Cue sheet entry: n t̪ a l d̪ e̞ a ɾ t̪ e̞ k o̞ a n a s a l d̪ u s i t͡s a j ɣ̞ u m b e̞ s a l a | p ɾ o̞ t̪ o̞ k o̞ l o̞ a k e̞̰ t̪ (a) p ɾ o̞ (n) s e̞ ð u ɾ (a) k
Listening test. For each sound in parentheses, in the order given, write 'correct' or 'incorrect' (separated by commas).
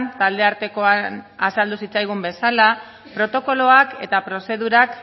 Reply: correct, incorrect, correct